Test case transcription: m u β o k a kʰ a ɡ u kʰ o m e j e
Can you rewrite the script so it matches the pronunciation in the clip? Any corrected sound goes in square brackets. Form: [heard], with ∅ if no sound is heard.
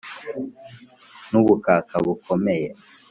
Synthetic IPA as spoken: [n] u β [u] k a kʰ a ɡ u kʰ o m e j e